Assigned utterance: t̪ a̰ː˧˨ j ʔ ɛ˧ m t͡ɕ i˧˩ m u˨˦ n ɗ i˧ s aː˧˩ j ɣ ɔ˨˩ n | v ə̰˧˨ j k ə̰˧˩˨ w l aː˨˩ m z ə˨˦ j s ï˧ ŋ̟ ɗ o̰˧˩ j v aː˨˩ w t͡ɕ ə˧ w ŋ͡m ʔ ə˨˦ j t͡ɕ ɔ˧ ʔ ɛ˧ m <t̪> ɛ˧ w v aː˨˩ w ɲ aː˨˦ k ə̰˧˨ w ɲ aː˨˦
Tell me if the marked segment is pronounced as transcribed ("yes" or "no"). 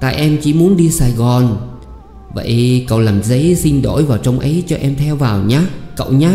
no